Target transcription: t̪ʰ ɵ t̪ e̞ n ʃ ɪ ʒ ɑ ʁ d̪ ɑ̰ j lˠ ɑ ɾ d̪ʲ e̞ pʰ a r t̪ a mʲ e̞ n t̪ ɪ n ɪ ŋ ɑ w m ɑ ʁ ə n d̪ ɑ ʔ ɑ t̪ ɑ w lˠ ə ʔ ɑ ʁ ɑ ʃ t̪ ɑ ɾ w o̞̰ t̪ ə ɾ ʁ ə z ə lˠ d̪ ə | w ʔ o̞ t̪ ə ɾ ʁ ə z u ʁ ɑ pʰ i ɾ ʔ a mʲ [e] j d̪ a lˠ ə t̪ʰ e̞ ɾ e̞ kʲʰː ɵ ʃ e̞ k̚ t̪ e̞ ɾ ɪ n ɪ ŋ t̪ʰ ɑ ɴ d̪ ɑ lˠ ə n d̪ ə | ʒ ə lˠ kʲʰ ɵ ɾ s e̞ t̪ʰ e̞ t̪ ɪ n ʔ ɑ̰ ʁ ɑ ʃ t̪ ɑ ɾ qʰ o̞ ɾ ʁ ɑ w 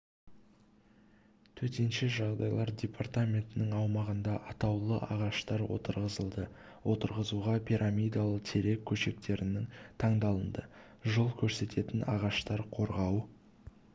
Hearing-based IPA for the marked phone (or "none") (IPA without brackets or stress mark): i